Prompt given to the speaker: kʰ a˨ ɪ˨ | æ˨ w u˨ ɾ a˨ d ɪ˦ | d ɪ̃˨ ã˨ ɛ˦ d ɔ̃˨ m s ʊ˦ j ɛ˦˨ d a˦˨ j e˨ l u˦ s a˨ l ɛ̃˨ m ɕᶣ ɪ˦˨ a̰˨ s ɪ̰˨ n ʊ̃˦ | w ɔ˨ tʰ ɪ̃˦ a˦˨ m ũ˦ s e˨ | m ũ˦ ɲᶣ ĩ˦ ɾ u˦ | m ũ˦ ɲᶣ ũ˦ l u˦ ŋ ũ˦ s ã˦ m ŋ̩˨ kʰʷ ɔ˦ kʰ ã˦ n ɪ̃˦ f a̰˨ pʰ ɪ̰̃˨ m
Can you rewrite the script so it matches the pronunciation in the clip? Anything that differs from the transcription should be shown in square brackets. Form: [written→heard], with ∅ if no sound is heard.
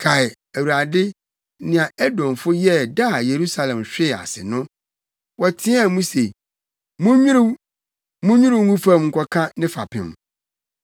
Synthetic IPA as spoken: kʰ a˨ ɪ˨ | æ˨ w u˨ ɾ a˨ d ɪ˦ | [d→n] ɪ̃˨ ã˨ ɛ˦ d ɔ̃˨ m [s→f] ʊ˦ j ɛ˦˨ d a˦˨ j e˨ [l→ɾ] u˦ s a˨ l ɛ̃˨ m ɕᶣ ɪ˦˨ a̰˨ s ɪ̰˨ n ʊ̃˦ | w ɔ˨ tʰ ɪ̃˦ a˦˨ m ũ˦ s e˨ | m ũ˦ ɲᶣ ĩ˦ ɾ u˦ | m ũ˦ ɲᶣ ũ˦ [l→ɾ] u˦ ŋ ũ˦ [s→f] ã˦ m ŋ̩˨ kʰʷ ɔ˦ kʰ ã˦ n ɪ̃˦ f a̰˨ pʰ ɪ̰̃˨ m